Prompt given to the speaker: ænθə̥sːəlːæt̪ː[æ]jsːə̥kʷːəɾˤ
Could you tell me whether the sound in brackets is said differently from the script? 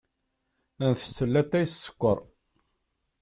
no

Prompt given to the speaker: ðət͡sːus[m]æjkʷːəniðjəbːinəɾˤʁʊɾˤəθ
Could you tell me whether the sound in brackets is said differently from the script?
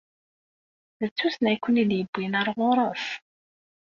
yes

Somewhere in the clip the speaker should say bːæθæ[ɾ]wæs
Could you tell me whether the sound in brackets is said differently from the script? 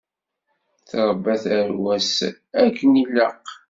no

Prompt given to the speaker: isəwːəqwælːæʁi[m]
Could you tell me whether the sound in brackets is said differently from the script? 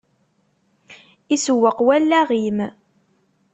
no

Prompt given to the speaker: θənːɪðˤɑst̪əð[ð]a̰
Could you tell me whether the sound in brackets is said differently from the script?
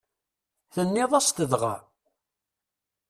yes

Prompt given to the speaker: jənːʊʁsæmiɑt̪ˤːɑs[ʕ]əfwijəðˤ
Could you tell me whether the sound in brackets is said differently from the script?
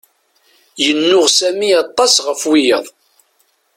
yes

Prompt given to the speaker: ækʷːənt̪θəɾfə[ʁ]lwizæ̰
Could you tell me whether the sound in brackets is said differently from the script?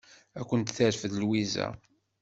yes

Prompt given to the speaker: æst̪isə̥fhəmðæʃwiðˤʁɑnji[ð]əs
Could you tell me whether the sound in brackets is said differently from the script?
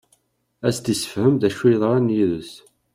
no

